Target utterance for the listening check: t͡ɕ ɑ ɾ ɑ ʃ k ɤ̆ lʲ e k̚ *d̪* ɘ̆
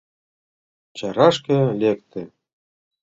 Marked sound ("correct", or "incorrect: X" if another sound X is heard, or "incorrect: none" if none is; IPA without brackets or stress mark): incorrect: t̪